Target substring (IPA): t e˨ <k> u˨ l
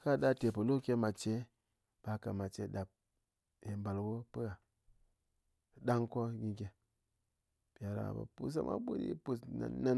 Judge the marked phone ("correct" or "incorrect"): incorrect